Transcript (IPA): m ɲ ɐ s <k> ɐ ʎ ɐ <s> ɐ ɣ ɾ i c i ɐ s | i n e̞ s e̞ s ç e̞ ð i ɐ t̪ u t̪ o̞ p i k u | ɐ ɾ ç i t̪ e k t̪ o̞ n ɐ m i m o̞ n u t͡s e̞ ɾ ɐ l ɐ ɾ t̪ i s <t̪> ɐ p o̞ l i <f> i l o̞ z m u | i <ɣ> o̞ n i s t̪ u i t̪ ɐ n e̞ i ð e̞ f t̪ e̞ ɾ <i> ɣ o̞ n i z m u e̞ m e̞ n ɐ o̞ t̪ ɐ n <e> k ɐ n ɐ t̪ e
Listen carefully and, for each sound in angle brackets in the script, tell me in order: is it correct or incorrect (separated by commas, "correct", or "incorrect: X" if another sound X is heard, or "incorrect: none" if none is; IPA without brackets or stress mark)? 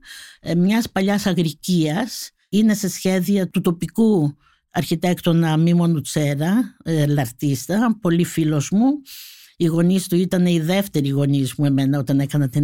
incorrect: p, correct, correct, correct, correct, correct, correct